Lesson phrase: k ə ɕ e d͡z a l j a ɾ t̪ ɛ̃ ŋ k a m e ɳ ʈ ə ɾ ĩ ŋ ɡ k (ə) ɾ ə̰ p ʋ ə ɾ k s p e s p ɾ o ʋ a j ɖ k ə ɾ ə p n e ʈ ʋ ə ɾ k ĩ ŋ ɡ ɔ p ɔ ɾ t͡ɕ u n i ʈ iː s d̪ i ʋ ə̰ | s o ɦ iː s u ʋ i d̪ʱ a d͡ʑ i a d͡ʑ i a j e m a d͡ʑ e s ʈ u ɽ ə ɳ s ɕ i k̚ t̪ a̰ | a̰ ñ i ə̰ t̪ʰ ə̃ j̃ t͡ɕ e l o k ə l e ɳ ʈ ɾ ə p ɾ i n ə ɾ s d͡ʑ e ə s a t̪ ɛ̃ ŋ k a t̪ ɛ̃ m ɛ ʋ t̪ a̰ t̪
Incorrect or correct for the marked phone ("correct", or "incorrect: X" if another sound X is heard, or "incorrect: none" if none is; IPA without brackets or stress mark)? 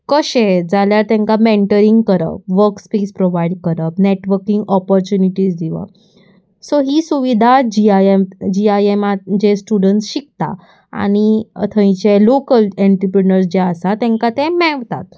correct